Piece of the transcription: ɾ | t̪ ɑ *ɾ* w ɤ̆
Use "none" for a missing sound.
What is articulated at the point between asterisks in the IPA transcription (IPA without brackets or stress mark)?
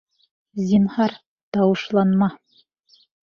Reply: none